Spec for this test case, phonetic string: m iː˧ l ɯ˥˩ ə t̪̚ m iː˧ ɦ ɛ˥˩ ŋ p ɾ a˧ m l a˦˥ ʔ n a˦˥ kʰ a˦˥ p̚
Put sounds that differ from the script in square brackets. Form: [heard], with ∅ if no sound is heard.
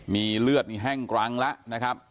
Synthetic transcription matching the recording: m iː˧ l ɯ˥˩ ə t̪̚ m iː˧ ɦ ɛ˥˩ ŋ [k] ɾ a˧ [ŋ] l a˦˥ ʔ n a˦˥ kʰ a˦˥ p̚